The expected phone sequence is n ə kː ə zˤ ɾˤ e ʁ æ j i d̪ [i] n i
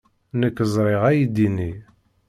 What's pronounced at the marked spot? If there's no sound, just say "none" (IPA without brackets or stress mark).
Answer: i